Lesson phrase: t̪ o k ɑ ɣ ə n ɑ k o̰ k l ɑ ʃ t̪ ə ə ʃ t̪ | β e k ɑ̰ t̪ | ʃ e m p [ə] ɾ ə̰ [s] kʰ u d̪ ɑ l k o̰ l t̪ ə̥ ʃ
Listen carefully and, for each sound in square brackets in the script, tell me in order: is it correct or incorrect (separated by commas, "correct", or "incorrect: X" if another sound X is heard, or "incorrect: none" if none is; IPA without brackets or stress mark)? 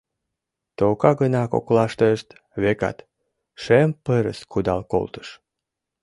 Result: correct, correct